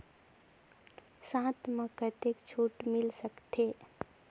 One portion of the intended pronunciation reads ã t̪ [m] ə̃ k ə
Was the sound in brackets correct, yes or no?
yes